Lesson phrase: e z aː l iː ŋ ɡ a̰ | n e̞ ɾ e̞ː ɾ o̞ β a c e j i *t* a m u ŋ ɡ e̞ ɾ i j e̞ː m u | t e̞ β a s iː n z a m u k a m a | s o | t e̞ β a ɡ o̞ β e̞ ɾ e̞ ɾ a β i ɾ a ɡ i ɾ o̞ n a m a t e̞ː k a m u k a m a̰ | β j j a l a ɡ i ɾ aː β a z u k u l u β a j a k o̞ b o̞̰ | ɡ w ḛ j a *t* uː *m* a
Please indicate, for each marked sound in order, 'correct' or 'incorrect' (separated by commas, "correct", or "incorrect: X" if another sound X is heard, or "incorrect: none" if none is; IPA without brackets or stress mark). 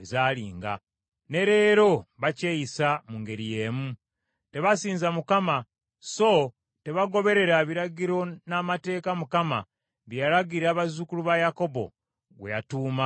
incorrect: s, correct, correct